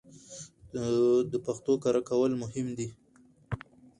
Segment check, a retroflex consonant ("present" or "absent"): absent